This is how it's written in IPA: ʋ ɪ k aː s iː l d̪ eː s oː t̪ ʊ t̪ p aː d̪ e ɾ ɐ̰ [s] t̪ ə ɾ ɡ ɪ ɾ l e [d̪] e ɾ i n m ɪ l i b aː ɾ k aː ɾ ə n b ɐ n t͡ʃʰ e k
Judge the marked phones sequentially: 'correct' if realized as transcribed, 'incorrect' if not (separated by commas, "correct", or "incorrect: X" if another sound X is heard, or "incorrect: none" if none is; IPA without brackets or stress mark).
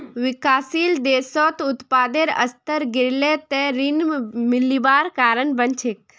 correct, incorrect: t̪